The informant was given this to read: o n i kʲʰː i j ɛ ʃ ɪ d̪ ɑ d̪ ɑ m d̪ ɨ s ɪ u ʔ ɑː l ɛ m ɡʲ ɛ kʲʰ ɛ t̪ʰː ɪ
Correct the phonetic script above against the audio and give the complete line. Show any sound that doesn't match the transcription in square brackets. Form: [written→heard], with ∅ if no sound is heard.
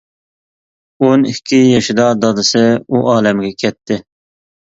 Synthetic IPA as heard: o n i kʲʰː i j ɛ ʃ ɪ d̪ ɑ d̪ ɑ [m→∅] d̪ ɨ s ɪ u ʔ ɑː l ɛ m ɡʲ ɛ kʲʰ ɛ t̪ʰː ɪ